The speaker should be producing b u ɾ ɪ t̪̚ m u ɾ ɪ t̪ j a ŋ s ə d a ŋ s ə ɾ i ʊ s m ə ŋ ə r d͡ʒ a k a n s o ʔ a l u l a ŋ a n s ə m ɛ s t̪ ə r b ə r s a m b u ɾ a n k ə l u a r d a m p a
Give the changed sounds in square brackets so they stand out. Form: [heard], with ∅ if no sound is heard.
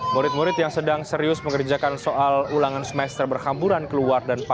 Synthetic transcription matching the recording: [m] u ɾ ɪ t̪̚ m u ɾ ɪ t̪ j a ŋ s ə d a ŋ s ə ɾ i ʊ s m ə ŋ ə r d͡ʒ a k a n s o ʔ a l u l a ŋ a n s ə m ɛ s t̪ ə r b ə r [h] a m b u ɾ a n k ə l u a r d a [n] p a